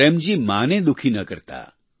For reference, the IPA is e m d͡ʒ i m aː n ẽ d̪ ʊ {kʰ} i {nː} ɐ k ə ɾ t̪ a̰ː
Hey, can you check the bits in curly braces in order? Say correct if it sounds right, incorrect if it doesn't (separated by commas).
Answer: correct, incorrect